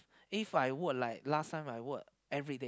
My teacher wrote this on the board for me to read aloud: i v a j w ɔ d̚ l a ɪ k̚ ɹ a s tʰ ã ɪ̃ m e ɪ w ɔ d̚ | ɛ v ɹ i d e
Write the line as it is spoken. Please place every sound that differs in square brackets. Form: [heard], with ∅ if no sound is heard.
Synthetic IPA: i [f] a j w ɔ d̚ l a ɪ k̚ [l] a s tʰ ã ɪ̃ m [a] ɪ w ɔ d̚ | ɛ v ɹ i d e